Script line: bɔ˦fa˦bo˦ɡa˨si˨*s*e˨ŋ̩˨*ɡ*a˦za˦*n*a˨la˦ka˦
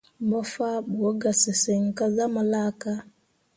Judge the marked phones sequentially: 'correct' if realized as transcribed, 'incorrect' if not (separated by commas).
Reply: correct, incorrect, incorrect